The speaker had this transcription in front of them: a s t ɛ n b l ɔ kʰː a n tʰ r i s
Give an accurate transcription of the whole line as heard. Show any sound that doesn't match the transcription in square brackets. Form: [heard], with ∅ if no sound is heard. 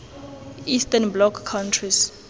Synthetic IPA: [i] s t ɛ n b l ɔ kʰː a n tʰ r i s